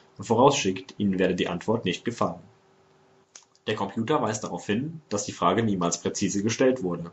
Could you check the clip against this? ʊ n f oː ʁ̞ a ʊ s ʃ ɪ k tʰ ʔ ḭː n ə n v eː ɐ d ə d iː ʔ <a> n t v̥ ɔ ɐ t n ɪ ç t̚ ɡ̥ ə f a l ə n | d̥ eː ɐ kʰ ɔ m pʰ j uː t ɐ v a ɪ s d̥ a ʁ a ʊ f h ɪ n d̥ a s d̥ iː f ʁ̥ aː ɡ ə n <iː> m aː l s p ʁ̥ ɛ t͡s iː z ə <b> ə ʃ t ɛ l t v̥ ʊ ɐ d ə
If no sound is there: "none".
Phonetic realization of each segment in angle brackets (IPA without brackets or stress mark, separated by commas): a, iː, ɡ